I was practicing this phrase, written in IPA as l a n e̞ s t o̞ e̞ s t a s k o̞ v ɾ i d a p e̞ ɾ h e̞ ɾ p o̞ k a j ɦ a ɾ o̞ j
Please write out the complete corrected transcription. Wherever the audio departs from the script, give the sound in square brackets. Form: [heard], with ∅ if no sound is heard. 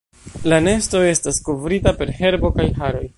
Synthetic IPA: l a n e̞ s t o̞ e̞ s t a s k o̞ v ɾ i [t] a p e̞ ɾ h e̞ ɾ [b] o̞ k a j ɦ a ɾ o̞ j